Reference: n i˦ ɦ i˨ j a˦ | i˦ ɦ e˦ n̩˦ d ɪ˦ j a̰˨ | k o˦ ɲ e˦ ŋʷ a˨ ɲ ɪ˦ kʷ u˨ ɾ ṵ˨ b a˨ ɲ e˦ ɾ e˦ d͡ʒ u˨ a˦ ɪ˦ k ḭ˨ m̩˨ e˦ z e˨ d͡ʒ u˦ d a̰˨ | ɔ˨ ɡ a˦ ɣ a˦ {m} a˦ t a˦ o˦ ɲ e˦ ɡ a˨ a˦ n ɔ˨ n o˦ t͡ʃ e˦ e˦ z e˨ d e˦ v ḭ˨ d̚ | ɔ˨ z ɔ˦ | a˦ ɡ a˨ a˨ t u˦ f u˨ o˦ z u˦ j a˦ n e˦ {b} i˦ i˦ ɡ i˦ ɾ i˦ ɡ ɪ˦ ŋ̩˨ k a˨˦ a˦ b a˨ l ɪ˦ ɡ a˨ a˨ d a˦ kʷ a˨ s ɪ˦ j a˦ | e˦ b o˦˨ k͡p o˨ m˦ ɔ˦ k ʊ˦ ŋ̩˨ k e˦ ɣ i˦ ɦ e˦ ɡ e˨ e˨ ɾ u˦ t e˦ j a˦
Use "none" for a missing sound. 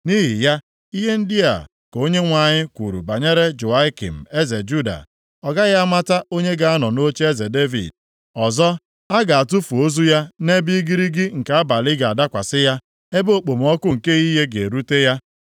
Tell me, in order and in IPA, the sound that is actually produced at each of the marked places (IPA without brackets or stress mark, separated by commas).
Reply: m, b